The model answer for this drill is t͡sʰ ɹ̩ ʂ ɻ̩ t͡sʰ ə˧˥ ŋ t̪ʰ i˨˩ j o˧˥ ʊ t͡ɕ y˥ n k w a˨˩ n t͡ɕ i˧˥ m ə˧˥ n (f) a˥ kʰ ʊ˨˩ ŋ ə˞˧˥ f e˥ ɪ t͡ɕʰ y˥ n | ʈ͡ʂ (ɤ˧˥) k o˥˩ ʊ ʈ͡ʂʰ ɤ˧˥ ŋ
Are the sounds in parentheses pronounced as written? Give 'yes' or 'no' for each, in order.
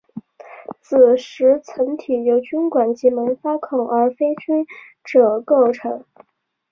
yes, no

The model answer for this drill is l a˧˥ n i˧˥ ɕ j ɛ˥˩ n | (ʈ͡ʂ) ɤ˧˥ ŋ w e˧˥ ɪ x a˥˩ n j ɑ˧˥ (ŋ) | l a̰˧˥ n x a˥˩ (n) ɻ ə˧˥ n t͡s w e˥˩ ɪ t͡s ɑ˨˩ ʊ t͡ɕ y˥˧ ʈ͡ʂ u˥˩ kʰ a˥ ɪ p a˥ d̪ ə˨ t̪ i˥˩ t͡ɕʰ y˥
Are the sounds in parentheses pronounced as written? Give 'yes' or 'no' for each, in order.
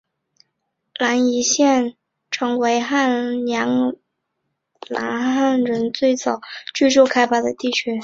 no, yes, yes

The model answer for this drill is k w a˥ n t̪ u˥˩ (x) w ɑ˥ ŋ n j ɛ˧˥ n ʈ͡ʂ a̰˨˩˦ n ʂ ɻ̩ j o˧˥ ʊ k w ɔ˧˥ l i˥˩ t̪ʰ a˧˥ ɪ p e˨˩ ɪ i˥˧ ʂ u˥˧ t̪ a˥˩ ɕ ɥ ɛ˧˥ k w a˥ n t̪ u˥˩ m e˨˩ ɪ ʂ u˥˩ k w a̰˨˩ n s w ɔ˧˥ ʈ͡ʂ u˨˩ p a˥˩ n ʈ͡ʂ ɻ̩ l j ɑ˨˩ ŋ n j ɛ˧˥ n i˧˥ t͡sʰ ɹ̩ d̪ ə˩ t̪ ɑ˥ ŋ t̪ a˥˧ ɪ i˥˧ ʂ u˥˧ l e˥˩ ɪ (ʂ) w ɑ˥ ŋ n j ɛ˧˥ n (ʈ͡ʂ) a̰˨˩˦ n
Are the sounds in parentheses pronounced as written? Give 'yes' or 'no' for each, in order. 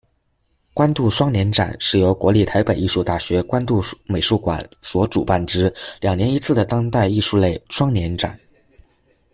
no, yes, yes

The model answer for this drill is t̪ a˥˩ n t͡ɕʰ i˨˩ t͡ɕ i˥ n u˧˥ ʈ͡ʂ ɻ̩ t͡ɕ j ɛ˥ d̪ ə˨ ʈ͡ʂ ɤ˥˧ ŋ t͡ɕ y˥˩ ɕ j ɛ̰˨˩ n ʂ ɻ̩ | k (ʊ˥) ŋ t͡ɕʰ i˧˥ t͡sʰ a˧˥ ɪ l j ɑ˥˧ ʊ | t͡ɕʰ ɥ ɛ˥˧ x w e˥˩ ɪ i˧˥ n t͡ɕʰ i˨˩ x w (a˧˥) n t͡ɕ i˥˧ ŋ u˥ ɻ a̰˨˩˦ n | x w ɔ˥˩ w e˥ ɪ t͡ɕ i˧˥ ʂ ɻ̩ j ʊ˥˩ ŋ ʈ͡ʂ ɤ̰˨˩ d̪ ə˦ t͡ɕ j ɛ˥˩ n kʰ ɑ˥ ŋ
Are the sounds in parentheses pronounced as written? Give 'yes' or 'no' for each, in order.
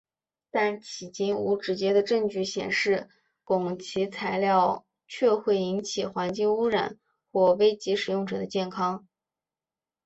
no, yes

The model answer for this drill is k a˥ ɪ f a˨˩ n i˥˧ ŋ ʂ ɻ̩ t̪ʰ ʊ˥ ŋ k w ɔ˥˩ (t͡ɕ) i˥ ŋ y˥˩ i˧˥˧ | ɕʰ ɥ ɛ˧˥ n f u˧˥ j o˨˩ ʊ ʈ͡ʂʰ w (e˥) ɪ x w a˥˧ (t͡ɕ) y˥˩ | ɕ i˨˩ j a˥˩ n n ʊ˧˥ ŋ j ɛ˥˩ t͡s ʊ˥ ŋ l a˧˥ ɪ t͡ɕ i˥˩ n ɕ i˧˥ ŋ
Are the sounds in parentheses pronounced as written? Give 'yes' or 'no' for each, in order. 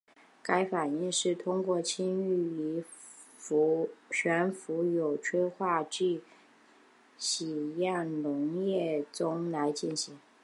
no, yes, yes

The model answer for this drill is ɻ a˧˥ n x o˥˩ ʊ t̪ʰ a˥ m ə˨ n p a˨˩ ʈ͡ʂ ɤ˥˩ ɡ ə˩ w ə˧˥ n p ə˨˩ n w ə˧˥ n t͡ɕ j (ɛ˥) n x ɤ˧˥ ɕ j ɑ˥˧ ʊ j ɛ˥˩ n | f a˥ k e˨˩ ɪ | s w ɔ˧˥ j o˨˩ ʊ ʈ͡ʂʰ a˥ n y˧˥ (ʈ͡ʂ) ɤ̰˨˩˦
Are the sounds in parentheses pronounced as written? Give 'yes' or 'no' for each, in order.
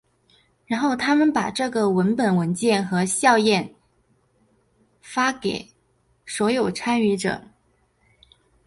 no, yes

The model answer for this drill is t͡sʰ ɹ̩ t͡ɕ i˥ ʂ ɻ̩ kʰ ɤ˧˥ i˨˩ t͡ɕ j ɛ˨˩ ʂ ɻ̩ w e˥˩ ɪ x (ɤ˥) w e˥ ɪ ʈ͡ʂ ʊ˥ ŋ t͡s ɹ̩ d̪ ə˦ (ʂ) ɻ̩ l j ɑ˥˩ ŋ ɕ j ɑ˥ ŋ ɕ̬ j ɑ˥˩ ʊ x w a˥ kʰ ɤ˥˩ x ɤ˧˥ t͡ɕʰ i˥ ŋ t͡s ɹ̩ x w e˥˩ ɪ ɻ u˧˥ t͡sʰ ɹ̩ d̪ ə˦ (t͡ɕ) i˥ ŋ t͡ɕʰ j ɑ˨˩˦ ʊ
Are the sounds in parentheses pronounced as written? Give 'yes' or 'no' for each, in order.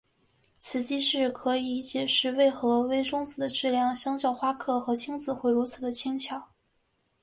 no, no, no

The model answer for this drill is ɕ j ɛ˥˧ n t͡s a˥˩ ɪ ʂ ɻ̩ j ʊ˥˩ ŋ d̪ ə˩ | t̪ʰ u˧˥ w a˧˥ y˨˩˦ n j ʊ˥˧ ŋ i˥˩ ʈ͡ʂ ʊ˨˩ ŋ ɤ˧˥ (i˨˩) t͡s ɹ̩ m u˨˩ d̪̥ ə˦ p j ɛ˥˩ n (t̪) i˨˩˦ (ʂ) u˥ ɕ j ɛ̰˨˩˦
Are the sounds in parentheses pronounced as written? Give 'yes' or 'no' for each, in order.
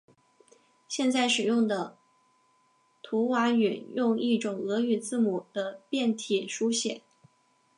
no, no, yes

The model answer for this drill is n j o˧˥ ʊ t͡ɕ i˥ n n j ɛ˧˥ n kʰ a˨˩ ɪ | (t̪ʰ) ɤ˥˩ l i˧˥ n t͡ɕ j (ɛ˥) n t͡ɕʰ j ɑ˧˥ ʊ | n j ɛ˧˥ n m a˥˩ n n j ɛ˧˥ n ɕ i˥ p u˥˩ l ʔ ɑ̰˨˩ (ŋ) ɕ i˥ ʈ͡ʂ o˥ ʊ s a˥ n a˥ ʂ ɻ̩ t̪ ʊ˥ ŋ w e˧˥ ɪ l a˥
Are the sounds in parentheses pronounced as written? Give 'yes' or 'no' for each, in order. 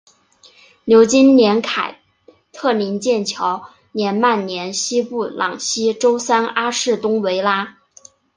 yes, no, yes

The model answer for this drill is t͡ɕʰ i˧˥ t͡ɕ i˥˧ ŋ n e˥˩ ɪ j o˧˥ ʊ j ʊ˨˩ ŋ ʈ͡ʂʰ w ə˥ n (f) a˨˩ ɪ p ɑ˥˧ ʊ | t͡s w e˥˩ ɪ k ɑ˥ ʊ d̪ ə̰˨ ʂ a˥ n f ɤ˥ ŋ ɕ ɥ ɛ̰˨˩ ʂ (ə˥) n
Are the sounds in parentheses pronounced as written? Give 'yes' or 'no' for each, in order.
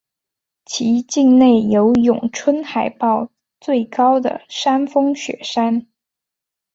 no, no

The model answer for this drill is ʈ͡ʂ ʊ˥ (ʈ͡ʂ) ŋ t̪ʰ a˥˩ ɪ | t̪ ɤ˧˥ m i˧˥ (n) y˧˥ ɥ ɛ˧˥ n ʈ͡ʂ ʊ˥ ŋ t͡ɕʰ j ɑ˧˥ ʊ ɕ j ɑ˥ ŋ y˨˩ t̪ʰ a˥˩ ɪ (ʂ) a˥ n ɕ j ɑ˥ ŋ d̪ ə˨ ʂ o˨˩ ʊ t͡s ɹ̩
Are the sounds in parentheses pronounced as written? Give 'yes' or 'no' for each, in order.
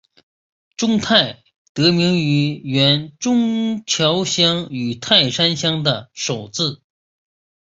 no, no, yes

